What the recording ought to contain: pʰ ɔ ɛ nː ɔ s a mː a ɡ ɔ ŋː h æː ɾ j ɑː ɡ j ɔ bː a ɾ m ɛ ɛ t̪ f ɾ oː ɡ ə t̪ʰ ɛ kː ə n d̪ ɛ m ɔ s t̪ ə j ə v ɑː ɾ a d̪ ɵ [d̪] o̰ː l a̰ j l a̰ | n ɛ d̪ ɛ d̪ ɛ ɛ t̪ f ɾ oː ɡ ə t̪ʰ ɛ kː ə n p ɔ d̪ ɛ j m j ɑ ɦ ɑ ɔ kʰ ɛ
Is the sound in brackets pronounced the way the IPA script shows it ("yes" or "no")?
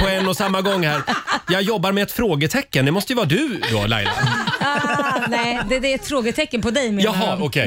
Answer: yes